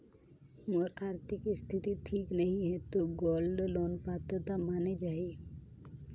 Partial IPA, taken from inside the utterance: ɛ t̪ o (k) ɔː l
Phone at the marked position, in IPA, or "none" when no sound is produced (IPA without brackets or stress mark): ɡ